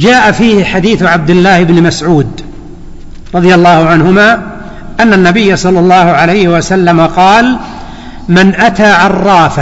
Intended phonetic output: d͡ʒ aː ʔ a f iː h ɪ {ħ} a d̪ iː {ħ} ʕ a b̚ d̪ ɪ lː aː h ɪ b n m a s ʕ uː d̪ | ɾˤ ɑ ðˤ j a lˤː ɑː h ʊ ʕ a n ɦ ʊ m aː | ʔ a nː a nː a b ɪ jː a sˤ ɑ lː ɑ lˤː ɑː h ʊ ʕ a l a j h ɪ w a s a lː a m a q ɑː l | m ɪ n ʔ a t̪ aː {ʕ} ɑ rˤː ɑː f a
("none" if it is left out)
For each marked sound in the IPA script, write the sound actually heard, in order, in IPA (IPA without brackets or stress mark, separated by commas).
ħ, θ, ʕ